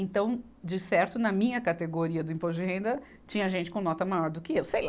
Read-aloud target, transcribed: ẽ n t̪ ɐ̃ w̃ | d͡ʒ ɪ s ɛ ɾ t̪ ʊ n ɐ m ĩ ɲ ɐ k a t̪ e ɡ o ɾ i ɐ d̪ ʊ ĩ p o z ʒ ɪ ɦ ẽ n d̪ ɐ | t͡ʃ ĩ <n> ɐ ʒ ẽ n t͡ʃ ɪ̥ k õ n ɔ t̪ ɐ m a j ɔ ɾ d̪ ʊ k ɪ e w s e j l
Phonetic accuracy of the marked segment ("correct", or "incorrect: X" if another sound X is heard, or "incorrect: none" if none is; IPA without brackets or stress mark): incorrect: ɲ